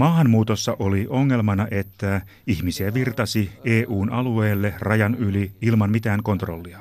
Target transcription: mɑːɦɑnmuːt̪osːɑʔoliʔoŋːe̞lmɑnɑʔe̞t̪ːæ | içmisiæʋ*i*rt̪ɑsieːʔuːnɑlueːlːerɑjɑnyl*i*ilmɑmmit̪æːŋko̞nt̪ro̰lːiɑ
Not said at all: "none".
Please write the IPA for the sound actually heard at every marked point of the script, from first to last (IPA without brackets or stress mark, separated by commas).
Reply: i, i